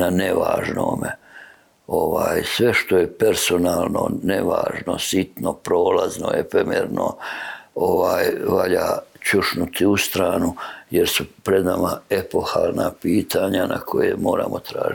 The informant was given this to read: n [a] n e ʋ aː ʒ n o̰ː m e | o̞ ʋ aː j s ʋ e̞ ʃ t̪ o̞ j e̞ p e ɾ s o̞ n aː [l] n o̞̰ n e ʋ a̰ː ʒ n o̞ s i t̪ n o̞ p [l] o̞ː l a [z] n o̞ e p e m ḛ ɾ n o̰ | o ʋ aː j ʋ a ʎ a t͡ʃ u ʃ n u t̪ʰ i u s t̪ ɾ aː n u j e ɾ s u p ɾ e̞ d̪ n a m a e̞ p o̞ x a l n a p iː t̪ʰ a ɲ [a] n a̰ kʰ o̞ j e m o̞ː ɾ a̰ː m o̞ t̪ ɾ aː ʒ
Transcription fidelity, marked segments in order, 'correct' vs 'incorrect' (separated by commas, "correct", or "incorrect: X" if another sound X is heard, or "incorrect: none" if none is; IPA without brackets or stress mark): correct, correct, incorrect: ɾ, correct, correct